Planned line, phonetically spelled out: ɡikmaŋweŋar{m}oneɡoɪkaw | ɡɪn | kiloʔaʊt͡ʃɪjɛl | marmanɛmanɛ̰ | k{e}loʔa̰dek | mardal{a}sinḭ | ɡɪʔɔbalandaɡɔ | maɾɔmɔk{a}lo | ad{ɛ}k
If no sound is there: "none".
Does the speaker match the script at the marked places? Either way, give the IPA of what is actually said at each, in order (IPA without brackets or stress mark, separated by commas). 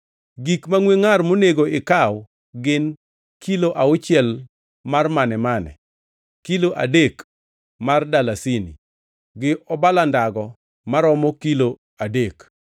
m, i, a, i, e